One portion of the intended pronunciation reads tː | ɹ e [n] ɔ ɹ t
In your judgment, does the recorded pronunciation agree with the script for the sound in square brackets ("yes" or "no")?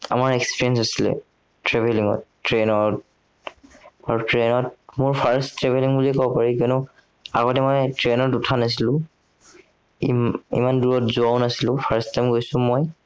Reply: yes